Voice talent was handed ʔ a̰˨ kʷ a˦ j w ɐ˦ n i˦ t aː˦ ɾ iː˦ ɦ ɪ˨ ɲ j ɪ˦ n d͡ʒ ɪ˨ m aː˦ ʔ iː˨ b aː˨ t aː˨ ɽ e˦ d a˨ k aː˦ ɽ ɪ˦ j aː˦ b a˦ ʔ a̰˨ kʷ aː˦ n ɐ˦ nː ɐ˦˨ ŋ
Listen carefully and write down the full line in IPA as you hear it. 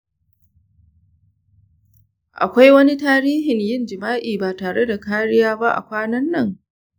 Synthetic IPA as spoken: ʔ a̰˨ kʷ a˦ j w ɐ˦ n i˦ t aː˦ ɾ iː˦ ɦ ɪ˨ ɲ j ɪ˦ n d͡ʒ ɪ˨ m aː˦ ʔ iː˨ b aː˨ t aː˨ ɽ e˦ d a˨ k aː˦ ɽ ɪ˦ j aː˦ b a˦ ʔ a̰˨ kʷ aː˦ n ɐ˦ nː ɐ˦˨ ŋ